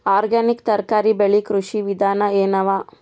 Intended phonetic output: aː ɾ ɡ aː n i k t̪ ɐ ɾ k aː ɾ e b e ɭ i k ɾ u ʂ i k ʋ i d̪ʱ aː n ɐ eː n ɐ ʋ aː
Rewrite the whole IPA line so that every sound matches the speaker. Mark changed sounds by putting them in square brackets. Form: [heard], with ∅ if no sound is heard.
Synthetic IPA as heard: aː ɾ ɡ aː n i k t̪ ɐ ɾ k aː ɾ [i] b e ɭ i k ɾ u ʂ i [∅] ʋ i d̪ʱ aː n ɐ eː n ɐ ʋ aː